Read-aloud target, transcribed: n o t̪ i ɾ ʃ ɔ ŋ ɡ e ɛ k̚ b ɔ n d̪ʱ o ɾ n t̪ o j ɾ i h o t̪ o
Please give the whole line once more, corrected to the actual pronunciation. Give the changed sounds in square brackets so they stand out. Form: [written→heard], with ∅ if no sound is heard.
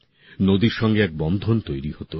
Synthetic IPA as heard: n o [t̪→d̪] i ɾ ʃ ɔ ŋ ɡ e ɛ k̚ b ɔ n d̪ʱ o [ɾ→∅] n t̪ o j ɾ i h o t̪ o